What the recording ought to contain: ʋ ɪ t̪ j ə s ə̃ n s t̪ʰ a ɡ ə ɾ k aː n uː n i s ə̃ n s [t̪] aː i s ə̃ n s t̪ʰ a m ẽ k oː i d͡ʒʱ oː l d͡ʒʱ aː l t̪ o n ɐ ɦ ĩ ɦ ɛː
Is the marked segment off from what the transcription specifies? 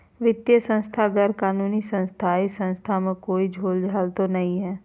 yes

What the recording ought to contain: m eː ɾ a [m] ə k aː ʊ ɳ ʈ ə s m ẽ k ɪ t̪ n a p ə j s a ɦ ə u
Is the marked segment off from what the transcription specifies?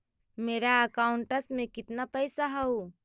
yes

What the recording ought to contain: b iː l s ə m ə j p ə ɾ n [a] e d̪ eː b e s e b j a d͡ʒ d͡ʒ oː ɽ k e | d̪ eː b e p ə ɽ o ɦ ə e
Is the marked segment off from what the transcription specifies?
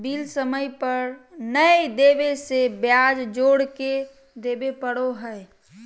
yes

